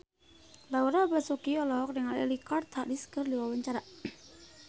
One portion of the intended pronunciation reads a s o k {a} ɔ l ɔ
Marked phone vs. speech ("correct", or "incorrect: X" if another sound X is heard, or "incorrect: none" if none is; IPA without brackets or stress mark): incorrect: i